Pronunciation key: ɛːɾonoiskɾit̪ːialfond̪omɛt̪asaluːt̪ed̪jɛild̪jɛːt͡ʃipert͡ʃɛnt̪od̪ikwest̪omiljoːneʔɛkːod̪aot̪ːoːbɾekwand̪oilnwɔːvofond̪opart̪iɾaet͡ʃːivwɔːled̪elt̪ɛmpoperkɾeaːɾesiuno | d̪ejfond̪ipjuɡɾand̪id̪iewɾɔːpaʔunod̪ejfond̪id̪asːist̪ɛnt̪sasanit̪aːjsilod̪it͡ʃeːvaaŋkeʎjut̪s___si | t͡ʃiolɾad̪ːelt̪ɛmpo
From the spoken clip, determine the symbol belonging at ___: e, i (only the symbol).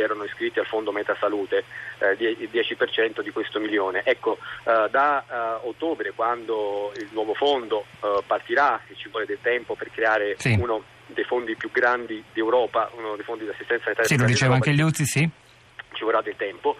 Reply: i